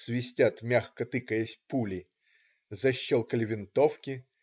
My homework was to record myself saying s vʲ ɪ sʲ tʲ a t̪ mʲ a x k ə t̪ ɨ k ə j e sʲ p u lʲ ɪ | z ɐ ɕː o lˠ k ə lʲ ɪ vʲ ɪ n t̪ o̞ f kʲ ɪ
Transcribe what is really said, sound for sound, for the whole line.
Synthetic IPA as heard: s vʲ ɪ sʲ tʲ a t̪ mʲ a x k ə t̪ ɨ k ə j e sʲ p u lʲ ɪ | z ɐ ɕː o lˠ k ə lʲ ɪ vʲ ɪ n t̪ o̞ f kʲ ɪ